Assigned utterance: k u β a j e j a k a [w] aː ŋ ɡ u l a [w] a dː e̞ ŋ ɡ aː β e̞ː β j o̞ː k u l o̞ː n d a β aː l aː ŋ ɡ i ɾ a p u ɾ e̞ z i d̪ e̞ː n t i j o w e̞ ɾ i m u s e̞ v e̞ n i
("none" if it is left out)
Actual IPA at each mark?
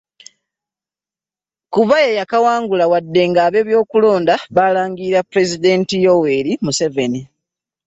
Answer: w, w

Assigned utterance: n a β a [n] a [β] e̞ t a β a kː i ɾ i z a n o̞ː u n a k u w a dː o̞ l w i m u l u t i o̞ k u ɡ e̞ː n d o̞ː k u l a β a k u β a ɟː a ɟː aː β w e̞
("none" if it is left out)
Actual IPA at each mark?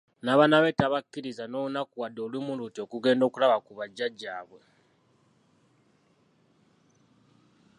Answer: n, β

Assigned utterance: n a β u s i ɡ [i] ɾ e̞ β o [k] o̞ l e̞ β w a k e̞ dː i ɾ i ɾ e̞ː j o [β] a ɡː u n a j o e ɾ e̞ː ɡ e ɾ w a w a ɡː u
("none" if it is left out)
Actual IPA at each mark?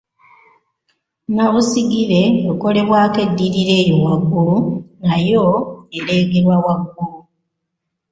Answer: i, k, w

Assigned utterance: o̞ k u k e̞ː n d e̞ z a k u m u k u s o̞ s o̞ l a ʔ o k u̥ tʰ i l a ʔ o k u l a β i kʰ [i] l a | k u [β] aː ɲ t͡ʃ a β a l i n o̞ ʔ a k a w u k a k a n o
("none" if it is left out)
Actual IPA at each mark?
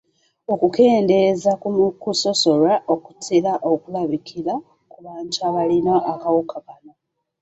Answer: i, β

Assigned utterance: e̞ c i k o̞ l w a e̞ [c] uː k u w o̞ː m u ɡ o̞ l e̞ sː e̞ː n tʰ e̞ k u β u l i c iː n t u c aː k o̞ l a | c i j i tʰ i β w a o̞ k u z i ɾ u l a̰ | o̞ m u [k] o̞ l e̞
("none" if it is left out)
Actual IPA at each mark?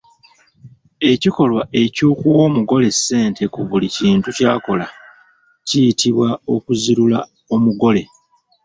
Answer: c, ɡ

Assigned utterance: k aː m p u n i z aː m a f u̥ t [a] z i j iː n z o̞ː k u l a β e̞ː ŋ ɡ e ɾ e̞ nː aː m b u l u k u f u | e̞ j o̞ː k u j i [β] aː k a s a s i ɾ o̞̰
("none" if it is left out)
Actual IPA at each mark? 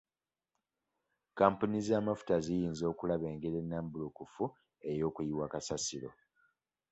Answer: a, w

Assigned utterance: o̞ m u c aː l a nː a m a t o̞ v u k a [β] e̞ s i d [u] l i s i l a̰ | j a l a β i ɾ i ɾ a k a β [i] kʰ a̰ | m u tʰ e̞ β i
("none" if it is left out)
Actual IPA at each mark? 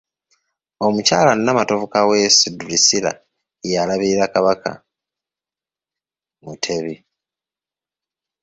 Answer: w, u, a

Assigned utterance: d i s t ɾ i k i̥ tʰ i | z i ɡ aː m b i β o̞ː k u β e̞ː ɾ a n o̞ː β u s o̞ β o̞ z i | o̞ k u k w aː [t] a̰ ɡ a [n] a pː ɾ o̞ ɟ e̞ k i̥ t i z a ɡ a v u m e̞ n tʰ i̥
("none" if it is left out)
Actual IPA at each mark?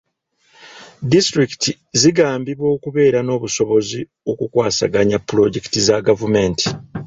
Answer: s, ɲ

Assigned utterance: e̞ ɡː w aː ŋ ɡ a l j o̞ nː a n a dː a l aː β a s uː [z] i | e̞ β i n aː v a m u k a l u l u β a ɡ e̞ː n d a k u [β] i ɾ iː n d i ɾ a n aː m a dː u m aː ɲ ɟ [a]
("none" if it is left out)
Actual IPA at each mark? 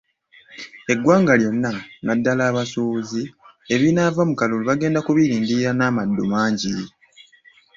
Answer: z, β, i

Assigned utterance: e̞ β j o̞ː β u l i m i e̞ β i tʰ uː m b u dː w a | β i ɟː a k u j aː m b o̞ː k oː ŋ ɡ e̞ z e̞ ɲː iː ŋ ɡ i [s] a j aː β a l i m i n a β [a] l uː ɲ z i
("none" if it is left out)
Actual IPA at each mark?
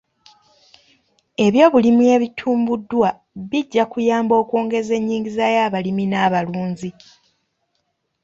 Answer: z, a

